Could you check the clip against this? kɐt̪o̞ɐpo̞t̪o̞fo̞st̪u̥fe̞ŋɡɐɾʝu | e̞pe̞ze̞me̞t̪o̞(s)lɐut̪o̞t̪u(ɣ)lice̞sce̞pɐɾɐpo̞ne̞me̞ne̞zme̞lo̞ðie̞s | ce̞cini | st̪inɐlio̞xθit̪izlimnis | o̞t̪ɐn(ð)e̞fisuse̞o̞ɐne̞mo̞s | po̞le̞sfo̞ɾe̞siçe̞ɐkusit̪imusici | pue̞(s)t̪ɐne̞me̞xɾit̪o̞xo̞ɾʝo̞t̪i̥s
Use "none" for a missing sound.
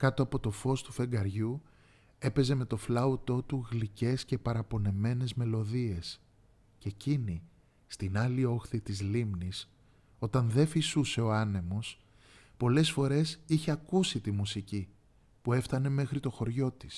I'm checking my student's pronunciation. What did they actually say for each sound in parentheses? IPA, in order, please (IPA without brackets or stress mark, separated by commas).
f, ɣ, ð, f